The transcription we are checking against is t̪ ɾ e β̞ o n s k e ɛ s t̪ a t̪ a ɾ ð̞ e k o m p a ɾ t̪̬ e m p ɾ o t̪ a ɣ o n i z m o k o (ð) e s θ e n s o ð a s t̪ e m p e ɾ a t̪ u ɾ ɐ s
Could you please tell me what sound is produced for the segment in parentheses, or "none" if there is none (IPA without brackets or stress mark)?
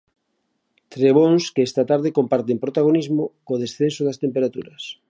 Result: ð